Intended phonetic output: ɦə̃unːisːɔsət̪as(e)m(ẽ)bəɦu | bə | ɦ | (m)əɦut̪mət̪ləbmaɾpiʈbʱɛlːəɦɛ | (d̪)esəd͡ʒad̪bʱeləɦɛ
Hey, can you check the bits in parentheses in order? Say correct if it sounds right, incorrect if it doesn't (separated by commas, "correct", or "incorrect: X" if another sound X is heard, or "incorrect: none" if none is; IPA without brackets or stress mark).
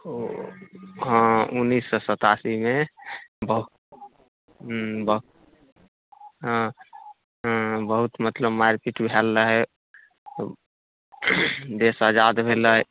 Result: incorrect: i, incorrect: e, incorrect: b, correct